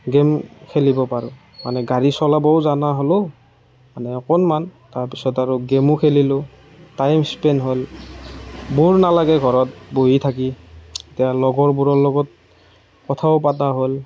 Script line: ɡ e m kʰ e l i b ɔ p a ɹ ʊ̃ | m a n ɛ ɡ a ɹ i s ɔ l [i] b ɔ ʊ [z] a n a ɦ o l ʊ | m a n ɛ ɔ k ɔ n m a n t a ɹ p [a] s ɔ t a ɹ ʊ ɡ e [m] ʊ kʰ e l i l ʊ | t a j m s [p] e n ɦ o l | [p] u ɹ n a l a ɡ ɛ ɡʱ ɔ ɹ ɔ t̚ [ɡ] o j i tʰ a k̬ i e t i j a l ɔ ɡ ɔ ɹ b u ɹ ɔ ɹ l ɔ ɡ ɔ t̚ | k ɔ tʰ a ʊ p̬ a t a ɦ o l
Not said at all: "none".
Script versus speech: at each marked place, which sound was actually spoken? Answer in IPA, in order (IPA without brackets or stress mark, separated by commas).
a, z, i, m, p, b, b